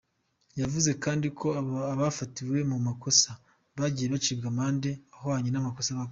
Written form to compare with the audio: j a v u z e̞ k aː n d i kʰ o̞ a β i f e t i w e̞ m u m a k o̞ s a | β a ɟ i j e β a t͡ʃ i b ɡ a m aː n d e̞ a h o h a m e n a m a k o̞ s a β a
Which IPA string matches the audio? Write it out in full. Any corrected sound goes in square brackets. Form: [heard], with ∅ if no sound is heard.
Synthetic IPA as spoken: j a v u z e̞ k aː n d i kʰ o̞ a β [a] f [a] t i w e̞ m u m a k o̞ s a | β a ɟ i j e β a t͡ʃ i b ɡ a m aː n d e̞ a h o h a [ɲ] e n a m a k o̞ s a β a